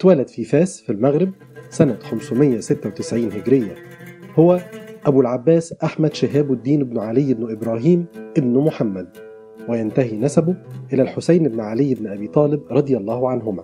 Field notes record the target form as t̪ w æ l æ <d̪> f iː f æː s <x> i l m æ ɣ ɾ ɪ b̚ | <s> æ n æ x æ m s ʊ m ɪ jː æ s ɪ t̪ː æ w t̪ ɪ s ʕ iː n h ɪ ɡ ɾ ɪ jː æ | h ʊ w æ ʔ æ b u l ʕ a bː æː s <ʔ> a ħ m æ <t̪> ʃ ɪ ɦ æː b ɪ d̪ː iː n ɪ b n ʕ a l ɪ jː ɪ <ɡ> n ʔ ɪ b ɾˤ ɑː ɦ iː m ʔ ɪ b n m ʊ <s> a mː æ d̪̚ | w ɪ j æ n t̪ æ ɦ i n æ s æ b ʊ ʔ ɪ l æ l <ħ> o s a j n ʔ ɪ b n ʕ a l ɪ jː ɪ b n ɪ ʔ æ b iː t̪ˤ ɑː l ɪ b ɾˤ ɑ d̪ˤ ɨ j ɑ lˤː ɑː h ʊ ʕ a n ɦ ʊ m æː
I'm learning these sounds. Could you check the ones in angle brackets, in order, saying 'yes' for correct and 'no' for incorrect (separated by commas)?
yes, no, yes, yes, no, no, no, yes